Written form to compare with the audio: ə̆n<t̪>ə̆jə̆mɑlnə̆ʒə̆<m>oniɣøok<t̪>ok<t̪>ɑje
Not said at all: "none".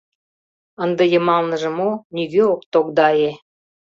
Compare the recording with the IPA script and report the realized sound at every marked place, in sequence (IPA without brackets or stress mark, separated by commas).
d̪, m, t̪, d̪